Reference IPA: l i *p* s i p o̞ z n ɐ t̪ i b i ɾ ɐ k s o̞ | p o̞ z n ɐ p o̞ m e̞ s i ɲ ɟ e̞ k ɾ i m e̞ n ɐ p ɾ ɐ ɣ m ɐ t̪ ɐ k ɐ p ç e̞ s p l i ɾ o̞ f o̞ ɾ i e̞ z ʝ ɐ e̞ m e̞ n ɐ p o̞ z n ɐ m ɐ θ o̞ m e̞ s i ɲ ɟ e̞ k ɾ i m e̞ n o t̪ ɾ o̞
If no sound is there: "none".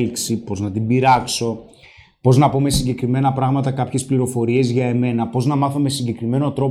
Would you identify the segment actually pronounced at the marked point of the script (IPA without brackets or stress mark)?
k